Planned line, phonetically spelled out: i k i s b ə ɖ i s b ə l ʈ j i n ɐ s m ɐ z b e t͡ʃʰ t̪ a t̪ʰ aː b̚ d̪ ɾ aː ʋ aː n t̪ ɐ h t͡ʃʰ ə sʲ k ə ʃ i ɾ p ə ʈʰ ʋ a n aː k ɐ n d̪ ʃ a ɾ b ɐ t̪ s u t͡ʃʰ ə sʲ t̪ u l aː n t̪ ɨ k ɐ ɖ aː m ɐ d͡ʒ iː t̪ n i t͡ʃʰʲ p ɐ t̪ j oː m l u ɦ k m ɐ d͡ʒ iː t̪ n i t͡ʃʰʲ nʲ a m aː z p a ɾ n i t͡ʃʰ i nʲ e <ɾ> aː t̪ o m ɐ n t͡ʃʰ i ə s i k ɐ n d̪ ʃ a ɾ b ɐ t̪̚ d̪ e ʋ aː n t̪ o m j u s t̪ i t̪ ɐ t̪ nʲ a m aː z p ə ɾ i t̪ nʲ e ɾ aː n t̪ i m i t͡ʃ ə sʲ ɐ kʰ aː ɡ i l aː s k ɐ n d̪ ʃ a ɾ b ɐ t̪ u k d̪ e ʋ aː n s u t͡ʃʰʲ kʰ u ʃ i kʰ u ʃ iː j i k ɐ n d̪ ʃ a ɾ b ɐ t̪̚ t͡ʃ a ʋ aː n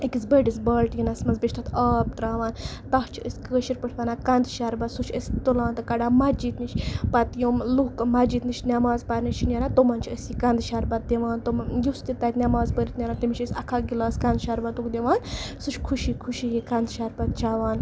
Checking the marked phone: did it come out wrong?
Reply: no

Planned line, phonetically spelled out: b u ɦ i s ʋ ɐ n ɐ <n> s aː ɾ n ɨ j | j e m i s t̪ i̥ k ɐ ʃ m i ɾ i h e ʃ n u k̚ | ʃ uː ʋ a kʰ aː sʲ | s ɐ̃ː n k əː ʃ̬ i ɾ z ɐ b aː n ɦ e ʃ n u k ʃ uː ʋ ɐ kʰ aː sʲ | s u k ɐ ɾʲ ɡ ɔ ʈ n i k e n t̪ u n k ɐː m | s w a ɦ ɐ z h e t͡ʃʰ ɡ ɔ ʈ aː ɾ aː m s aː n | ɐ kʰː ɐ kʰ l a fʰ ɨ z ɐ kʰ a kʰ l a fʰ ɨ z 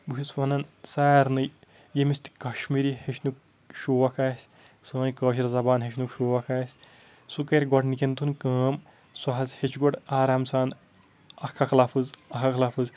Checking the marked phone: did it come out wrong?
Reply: no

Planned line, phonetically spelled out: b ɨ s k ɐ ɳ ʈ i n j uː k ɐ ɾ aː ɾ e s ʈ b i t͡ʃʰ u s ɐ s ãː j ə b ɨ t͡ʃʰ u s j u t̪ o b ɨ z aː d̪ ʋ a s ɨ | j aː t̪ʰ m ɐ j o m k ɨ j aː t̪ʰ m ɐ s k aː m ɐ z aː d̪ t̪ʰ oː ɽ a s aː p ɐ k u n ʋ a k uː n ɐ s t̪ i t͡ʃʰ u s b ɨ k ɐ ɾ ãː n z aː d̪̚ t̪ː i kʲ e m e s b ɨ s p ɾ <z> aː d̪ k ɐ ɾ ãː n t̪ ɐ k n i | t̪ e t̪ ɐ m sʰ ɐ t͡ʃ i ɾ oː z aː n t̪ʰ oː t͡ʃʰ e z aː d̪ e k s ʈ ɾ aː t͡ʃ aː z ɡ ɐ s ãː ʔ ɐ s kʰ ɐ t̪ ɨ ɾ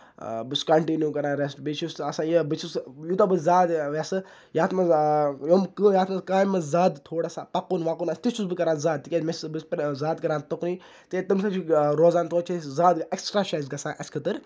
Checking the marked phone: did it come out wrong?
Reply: no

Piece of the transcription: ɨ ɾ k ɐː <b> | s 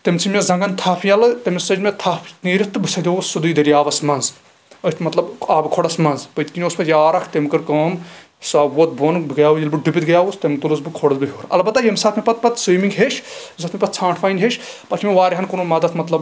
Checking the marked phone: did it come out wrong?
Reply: yes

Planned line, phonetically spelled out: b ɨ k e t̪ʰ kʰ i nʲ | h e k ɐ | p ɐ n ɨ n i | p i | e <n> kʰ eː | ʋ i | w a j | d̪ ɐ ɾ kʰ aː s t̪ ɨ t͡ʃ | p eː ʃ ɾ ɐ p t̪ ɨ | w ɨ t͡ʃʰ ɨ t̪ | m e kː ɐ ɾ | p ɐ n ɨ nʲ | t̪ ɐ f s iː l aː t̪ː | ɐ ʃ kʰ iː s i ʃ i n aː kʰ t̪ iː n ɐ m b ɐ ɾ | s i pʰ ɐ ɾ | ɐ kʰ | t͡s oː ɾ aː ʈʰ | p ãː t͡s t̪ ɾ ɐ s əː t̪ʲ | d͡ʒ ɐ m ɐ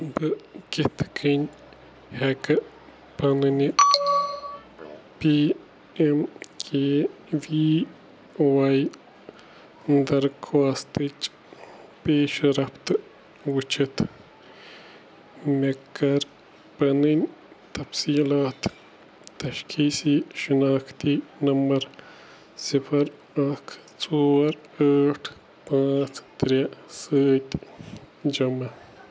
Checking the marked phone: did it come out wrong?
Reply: yes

